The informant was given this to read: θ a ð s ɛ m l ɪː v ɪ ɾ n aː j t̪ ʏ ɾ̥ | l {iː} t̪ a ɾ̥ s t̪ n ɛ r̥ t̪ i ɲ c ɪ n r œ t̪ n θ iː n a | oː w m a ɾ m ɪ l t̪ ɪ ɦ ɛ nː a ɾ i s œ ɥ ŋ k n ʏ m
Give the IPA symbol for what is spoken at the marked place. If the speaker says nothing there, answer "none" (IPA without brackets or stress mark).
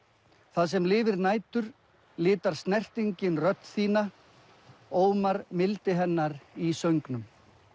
ɪː